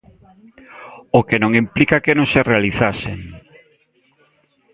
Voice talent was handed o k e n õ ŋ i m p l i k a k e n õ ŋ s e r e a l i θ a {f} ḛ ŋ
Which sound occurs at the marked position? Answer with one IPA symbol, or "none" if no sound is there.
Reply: s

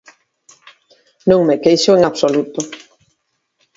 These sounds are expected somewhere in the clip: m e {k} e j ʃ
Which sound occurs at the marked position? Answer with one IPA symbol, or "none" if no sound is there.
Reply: k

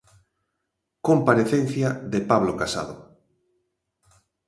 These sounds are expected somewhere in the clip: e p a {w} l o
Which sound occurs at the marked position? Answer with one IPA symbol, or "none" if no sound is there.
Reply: β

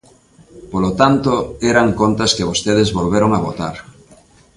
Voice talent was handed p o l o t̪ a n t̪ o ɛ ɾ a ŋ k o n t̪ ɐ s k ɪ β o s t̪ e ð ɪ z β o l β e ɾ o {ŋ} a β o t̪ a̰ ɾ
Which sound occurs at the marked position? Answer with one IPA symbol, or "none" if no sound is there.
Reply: ŋ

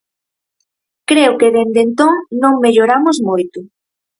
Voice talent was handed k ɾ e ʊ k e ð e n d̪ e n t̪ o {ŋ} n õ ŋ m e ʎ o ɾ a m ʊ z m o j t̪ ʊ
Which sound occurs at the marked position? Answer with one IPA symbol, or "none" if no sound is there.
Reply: ŋ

